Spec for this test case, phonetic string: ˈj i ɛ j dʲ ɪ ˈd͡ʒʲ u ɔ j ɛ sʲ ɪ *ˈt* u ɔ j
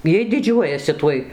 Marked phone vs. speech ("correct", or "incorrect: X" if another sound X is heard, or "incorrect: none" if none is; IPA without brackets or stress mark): correct